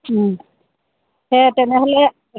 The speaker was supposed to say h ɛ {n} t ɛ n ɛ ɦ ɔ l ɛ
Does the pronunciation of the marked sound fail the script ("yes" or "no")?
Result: yes